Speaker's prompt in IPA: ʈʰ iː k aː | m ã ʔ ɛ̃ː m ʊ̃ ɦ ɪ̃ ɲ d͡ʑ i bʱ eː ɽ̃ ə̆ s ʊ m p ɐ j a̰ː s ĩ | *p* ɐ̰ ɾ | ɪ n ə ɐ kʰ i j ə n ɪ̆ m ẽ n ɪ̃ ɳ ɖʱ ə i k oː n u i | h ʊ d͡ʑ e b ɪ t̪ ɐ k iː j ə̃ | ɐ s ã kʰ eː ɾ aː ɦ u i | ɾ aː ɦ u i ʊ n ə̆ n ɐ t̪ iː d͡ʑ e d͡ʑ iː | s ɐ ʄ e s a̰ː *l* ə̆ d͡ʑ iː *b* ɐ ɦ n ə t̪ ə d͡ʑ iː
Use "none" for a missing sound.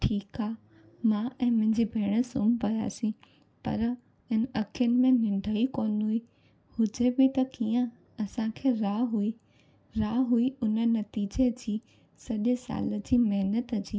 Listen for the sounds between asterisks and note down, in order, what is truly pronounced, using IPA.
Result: p, l, m

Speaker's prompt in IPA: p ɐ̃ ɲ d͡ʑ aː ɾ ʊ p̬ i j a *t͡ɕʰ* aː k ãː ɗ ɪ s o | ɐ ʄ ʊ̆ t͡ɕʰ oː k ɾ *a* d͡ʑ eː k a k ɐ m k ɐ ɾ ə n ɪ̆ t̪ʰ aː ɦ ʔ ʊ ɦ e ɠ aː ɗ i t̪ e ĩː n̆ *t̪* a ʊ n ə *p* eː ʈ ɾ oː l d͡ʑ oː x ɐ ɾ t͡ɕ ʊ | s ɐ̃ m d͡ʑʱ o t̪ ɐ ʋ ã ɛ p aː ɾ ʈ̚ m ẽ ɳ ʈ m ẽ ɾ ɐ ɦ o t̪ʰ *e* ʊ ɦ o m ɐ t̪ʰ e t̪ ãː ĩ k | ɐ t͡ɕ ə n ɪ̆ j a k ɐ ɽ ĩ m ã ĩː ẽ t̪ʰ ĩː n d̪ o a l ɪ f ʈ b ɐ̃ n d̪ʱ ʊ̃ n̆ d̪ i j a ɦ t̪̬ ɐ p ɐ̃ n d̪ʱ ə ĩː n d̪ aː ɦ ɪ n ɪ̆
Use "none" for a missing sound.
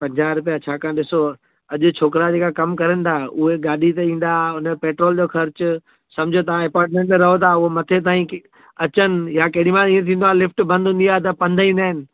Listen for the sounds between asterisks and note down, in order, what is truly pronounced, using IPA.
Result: t͡ɕʰ, a, d̪, p, a

